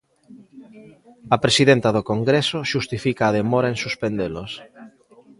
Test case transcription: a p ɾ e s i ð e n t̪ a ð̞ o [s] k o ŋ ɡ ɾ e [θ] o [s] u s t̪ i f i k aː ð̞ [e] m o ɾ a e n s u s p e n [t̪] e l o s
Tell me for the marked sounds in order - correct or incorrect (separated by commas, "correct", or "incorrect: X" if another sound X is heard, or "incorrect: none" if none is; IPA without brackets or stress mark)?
incorrect: none, incorrect: s, incorrect: ʃ, correct, incorrect: d̪